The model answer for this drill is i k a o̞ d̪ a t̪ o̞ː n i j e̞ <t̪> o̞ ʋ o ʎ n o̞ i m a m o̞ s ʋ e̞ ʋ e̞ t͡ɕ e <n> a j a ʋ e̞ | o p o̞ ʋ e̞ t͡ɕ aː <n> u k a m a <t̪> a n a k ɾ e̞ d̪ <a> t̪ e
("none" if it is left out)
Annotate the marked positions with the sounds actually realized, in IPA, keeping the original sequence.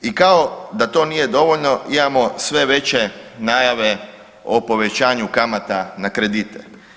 d̪, n, ɲ, t̪, i

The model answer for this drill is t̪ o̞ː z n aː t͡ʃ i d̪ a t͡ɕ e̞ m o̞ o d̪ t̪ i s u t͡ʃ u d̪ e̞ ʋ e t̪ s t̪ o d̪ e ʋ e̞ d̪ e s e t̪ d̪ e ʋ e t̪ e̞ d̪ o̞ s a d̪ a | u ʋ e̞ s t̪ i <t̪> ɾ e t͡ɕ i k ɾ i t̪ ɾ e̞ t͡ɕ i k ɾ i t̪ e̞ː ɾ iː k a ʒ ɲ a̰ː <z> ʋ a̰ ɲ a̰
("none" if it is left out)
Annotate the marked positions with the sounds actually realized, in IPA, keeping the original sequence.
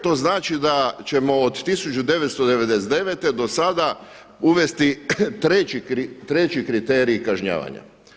t̪, none

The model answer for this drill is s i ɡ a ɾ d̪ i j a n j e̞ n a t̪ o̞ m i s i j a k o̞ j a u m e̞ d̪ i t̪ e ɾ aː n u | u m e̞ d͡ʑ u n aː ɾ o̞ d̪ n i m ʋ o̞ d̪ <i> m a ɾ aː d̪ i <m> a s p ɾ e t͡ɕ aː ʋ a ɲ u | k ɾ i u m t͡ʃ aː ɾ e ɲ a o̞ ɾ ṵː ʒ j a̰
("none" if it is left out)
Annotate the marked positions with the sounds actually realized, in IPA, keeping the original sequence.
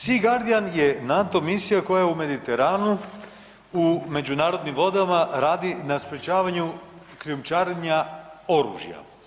a, n

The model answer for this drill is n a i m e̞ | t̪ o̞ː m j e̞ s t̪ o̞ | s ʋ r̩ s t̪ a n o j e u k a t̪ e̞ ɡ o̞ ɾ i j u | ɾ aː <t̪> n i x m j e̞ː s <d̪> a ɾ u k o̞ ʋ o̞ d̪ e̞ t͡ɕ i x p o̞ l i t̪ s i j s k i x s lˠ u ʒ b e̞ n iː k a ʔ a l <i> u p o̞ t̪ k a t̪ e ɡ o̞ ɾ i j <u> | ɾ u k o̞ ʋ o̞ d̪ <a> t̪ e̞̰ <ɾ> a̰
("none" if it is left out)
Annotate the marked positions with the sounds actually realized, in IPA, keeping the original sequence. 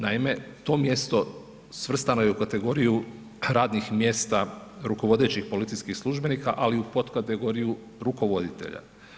d̪, t̪, i, u, i, ʎ

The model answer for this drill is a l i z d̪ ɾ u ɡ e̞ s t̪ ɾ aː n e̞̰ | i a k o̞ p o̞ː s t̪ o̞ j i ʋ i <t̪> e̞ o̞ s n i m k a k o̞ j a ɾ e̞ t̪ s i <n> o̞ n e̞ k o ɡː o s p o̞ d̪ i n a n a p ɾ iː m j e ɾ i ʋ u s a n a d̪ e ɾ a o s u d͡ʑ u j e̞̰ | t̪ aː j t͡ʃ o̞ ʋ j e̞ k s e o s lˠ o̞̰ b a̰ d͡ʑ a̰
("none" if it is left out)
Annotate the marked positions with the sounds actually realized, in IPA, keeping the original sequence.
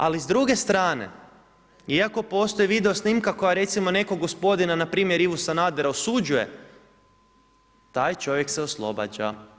d̪, m

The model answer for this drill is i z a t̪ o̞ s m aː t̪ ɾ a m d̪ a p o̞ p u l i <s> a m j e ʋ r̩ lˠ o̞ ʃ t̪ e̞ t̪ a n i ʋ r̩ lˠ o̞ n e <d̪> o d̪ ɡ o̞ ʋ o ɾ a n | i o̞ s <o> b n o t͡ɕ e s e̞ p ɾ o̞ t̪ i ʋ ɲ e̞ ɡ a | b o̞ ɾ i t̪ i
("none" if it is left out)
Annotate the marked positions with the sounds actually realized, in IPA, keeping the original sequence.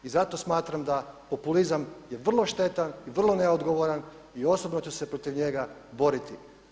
z, none, o

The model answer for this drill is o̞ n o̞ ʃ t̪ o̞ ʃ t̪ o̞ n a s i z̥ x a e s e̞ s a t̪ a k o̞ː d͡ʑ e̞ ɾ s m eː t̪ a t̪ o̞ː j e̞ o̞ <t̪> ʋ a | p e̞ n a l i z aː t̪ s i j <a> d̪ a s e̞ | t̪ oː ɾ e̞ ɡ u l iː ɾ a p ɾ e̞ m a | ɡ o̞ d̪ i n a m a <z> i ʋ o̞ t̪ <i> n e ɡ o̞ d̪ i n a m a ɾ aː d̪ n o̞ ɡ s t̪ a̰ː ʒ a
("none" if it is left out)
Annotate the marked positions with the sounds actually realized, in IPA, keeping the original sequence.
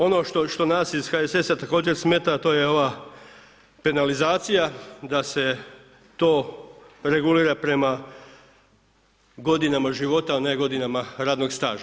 none, a, ʒ, a

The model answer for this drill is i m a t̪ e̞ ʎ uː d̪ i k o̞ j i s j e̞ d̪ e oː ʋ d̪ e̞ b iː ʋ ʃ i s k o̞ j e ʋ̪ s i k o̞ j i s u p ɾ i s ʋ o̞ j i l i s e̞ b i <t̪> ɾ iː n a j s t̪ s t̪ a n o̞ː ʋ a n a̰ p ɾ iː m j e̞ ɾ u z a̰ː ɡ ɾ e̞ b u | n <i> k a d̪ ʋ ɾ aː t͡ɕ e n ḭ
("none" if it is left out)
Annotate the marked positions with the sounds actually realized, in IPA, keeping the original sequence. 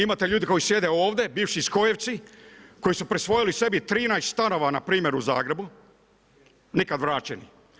t̪, i

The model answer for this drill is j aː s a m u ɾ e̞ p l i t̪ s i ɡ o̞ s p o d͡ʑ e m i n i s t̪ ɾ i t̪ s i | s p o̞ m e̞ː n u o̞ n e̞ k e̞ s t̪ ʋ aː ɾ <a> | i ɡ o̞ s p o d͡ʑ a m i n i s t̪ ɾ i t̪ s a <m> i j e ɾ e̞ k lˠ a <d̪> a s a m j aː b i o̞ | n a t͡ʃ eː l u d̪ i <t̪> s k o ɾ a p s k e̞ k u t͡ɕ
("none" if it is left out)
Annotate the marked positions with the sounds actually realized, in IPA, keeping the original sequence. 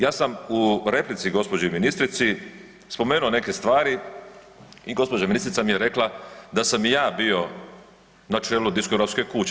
i, m, d̪, none

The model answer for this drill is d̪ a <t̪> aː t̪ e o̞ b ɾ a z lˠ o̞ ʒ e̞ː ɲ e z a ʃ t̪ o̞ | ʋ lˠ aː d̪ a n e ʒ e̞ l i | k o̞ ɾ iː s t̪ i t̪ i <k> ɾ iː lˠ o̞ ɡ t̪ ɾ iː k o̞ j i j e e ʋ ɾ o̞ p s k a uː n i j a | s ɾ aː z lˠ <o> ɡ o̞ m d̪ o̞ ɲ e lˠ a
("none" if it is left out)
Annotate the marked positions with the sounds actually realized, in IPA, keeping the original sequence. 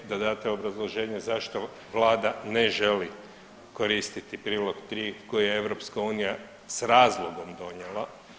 d̪, p, o

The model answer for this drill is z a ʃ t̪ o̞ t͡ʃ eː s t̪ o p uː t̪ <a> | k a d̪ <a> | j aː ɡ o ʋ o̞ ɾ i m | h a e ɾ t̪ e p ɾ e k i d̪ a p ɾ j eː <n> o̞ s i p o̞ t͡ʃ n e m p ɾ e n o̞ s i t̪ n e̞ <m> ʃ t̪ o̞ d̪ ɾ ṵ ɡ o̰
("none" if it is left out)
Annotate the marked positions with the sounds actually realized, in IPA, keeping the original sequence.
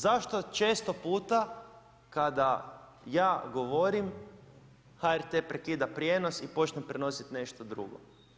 a, a, n, none

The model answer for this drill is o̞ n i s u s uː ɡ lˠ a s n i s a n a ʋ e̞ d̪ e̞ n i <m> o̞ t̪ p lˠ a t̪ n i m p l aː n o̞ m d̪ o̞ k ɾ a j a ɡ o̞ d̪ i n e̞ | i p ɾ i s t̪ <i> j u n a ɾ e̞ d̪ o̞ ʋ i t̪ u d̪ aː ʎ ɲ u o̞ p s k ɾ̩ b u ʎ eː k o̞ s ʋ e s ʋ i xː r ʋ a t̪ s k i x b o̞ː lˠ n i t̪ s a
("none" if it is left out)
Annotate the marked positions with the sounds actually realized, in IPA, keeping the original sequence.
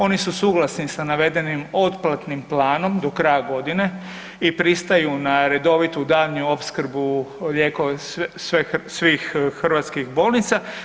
m, a

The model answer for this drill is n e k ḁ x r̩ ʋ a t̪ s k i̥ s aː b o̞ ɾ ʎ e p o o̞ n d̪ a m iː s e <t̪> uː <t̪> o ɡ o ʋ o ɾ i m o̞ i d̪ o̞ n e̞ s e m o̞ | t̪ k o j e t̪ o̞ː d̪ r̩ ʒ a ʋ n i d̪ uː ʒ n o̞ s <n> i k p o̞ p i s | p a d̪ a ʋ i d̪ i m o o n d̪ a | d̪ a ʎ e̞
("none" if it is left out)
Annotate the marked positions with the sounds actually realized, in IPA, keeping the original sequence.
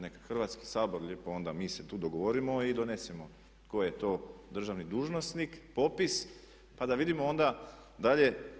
t̪, d̪, n

